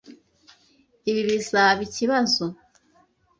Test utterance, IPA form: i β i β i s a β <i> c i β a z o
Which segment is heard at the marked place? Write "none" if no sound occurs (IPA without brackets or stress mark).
i